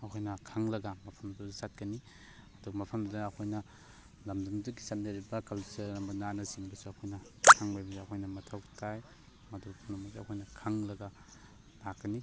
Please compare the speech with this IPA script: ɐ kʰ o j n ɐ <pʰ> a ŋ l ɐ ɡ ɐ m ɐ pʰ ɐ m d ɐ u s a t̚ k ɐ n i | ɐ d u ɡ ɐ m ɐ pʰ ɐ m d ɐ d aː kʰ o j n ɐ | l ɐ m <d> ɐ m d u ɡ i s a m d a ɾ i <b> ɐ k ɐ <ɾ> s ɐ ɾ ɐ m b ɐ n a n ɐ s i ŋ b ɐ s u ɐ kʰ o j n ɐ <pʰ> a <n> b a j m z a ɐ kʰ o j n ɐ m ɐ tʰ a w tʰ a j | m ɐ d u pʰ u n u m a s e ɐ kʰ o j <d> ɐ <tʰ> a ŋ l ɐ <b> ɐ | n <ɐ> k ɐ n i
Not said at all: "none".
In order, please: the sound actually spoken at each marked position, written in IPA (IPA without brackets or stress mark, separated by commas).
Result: kʰ, d, b, l, kʰ, ŋ, n, kʰ, ɡ, a